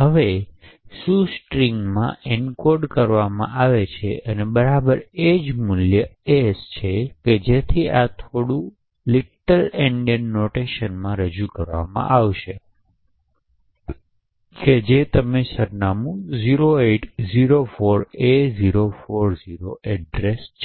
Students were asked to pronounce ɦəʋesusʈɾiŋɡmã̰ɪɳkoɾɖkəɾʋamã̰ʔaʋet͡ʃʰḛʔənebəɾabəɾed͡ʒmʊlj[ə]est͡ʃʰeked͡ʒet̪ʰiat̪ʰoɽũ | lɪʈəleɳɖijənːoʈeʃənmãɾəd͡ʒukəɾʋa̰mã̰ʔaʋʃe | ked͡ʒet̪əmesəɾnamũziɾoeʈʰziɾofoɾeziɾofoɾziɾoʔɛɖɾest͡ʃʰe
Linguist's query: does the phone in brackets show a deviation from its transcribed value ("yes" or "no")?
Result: no